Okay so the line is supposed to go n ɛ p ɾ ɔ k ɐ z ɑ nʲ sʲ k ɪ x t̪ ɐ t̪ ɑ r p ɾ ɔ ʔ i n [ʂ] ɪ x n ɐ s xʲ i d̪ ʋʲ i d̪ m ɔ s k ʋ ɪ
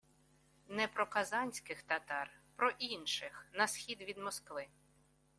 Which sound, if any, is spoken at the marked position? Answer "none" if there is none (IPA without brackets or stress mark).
ʃ